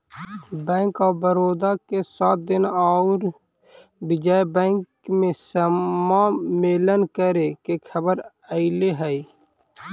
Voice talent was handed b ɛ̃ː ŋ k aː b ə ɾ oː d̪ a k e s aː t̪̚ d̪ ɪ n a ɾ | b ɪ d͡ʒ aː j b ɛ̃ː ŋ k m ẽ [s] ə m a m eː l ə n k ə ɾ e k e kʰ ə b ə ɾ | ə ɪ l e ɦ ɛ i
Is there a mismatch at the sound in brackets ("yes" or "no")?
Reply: no